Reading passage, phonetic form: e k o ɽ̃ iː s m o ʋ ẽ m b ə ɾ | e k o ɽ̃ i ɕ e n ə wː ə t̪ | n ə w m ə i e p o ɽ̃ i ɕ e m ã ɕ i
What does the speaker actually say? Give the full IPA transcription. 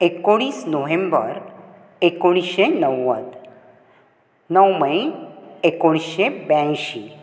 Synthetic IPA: e k o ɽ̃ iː s n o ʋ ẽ m b ə ɾ | e k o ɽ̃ i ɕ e n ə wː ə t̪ | n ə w m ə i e k o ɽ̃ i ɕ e b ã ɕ i